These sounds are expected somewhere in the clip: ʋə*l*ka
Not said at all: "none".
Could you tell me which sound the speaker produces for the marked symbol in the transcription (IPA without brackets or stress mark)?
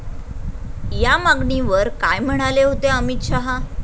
ɾ